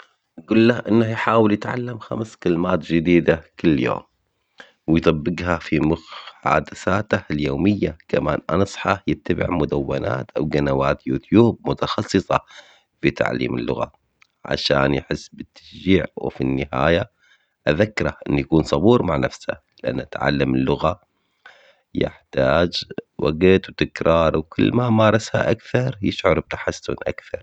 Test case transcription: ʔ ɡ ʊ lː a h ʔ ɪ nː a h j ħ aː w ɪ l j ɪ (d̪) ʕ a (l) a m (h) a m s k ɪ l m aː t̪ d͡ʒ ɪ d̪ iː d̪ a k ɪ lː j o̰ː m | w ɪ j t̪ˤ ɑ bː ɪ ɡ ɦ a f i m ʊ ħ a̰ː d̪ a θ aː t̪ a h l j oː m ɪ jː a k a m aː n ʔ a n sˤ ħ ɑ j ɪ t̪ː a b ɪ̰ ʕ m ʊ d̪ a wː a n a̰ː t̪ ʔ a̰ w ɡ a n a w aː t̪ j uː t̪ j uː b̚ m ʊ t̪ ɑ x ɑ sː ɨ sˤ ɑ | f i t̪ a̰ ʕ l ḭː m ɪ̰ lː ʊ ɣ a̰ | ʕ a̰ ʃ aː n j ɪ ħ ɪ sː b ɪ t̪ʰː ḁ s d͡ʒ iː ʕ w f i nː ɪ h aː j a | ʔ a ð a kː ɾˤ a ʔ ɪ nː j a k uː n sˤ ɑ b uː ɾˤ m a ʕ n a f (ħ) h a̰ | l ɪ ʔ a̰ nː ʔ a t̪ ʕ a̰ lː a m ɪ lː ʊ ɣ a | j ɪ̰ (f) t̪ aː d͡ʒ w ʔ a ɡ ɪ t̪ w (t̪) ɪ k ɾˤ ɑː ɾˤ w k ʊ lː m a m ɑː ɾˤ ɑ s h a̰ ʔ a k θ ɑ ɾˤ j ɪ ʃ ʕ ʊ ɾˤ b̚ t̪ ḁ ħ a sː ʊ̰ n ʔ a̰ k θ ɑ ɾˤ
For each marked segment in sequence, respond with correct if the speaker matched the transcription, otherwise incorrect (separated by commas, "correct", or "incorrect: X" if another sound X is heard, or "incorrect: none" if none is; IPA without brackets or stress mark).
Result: incorrect: t̪, incorrect: lː, incorrect: x, incorrect: s, incorrect: ħ, correct